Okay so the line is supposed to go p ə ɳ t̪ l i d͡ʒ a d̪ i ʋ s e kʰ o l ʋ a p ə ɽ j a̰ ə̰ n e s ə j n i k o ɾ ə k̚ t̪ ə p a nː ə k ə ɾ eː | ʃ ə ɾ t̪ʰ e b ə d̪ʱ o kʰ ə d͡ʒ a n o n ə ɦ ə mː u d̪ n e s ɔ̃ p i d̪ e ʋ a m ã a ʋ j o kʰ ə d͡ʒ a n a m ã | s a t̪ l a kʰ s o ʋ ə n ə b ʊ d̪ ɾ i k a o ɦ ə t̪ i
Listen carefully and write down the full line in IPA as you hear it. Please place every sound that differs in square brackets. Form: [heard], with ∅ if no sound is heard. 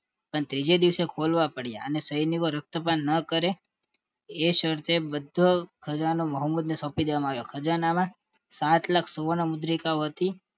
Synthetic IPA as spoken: p ə ɳ t̪ [ɾ] i d͡ʒ [e] d̪ i ʋ s e kʰ o l ʋ a p ə ɽ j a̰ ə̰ n e s ə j n i k o ɾ ə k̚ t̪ ə p a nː ə k ə ɾ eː | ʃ ə ɾ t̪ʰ e b ə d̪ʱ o kʰ ə d͡ʒ a n o [m] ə ɦ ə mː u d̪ n e s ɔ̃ p i d̪ e ʋ a m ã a ʋ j o kʰ ə d͡ʒ a n a m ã | s a t̪ l a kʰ s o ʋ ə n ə [m] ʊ d̪ ɾ i k a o ɦ ə t̪ i